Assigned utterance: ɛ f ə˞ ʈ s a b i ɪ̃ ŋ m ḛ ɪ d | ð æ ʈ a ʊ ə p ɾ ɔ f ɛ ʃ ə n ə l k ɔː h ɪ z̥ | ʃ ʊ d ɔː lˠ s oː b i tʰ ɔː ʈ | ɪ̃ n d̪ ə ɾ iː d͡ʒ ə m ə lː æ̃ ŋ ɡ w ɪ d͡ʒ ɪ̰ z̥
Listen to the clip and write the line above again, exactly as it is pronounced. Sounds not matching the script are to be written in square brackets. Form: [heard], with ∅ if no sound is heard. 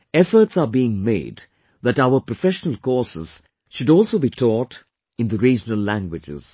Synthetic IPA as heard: ɛ f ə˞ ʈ s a b i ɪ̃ ŋ m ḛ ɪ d | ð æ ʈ a ʊ ə p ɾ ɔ f ɛ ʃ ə n ə l k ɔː [s] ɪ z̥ | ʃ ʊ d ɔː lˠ s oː b i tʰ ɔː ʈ | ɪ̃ n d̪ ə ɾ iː d͡ʒ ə [n] ə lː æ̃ ŋ ɡ w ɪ d͡ʒ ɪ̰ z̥